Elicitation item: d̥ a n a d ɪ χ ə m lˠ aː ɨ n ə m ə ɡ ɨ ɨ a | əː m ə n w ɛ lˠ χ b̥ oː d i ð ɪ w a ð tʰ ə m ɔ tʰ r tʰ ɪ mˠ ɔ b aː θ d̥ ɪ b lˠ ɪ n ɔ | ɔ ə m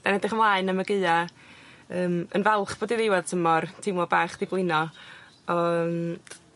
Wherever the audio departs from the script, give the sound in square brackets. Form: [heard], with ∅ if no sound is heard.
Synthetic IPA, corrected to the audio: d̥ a n [ɛ] d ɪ χ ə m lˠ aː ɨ n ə m ə ɡ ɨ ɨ a | əː m ə n [v] ɛ lˠ χ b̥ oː d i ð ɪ w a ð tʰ ə m ɔ [∅] r tʰ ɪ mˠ ɔ b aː [χ] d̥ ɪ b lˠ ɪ n ɔ | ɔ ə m

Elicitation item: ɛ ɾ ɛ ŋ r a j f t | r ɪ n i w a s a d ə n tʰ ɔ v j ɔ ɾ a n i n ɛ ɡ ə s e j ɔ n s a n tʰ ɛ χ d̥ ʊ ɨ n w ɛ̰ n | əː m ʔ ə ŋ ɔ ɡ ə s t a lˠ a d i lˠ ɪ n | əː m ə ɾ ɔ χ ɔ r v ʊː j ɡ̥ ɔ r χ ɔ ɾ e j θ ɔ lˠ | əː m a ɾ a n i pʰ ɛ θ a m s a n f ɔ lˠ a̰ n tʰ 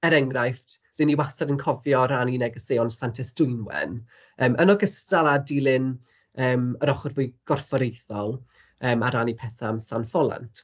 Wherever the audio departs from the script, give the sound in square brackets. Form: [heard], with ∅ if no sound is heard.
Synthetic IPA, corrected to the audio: ɛ ɾ ɛ ŋ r a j f t | r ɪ n i w a s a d ə n [kʰ] ɔ v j ɔ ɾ a n i n ɛ ɡ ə s e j ɔ n s a n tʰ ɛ [s] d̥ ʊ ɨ n w ɛ̰ n | əː m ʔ ə [n] ɔ ɡ ə s t a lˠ a d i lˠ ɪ n | əː m ə ɾ ɔ χ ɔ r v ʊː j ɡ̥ ɔ r [f] ɔ ɾ e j θ ɔ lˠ | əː m a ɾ a n i pʰ ɛ θ a m s a n f ɔ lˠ a̰ n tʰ

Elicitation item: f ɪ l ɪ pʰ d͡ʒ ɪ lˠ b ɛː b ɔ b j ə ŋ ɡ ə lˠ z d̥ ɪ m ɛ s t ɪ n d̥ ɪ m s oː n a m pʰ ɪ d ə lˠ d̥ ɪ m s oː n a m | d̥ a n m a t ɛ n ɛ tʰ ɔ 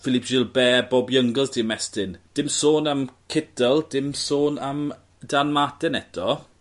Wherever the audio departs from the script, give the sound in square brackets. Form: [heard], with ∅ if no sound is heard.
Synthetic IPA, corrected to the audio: f ɪ l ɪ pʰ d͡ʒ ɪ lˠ b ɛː b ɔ b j ə ŋ ɡ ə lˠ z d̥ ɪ m ɛ s t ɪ n d̥ ɪ m s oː n a m [kʰ] ɪ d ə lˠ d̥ ɪ m s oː n a m | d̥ a n m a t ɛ n ɛ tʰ ɔ

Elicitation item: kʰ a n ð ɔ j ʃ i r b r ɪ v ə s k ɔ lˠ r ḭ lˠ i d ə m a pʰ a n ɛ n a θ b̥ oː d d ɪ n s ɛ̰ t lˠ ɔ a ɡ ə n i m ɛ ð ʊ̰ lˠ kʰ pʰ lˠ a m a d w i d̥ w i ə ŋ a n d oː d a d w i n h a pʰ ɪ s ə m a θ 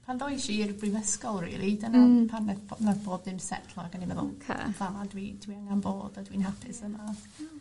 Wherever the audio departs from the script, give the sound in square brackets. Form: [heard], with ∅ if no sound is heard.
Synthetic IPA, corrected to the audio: [pʰ] a n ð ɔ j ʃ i r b r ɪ v ə s k ɔ lˠ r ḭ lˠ i d ə [n] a pʰ a n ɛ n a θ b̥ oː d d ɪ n s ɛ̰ [tʰ] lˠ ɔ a ɡ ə n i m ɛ ð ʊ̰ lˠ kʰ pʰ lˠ a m a d w i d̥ w i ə ŋ a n [b] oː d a d w i n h a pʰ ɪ s ə m a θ

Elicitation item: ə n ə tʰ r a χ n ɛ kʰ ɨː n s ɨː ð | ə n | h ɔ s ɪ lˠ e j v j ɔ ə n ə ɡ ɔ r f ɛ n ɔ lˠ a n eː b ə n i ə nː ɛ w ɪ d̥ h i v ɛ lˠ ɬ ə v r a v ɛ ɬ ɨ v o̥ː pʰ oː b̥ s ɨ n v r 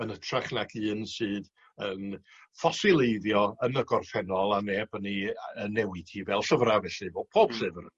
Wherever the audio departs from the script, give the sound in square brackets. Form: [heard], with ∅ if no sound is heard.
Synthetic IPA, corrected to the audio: ə n ə tʰ r a χ n [a] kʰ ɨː n s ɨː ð | ə n | [f] ɔ s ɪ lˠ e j [ð] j ɔ ə n ə ɡ ɔ r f ɛ n ɔ lˠ a n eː b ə n i ə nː ɛ w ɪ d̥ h i v ɛ lˠ ɬ ə v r a v ɛ ɬ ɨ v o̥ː pʰ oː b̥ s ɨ [∅] v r

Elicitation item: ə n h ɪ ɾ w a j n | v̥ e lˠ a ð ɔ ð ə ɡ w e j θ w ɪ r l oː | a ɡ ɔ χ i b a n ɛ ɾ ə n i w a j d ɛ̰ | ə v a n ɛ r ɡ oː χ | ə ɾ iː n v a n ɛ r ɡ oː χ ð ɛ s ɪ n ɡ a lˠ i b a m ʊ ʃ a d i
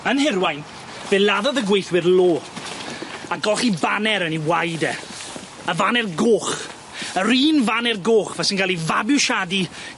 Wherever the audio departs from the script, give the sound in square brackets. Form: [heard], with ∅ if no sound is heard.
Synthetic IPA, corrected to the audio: ə n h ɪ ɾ w a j n | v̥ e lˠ a ð ɔ ð ə ɡ w e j θ w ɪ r l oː | a ɡ ɔ χ i b a n ɛ ɾ ə n i w a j d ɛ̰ | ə v a n ɛ r ɡ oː χ | ə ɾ iː n v a n ɛ r ɡ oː χ [v] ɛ s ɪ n ɡ a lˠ i [v] a [b] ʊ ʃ a d i

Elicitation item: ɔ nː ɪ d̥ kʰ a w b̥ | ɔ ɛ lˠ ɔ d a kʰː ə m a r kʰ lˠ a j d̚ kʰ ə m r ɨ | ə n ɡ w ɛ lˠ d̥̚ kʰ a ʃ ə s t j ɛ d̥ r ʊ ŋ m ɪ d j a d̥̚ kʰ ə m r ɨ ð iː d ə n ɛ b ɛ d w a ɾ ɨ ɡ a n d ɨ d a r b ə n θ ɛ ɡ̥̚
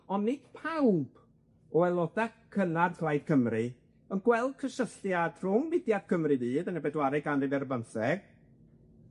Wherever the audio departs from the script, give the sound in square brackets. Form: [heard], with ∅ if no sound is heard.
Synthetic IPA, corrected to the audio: ɔ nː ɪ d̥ [pʰ] a w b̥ | ɔ ɛ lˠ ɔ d a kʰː ə [n] a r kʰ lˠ a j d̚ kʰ ə m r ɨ | ə n ɡ w ɛ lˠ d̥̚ kʰ [ə] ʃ ə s t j [a] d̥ r ʊ ŋ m ɪ d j a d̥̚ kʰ ə m r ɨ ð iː d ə n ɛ b ɛ d w a ɾ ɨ ɡ a n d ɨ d [ɛ] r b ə n θ ɛ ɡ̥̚

